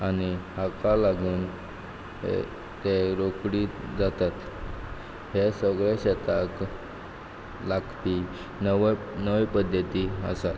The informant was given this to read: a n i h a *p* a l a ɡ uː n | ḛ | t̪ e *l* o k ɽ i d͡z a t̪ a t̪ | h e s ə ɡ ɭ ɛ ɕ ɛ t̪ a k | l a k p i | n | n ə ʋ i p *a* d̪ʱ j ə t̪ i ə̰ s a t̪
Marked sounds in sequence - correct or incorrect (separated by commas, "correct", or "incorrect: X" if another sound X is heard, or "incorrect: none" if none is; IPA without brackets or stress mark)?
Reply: incorrect: k, incorrect: ɾ, incorrect: ə